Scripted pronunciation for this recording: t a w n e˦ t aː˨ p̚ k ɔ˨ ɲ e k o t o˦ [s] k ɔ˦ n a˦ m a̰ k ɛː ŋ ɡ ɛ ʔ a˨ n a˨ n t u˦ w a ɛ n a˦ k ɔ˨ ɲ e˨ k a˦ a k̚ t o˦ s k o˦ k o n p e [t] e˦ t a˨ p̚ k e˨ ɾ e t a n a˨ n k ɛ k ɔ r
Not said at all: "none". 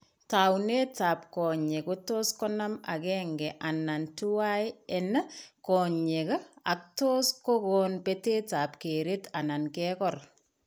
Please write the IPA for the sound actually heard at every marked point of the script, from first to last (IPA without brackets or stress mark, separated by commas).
s, t